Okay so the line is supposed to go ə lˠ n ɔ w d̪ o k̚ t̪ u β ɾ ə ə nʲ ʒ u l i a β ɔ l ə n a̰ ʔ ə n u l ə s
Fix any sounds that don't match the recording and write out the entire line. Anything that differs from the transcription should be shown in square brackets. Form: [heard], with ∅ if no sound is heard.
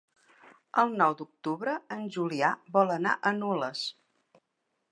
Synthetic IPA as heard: ə lˠ n ɔ w d̪ [u] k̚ t̪ u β ɾ ə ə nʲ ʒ u l i a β ɔ l ə n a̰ ʔ ə n u l ə s